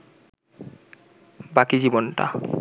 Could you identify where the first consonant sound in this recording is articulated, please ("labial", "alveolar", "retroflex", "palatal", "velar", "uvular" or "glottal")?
labial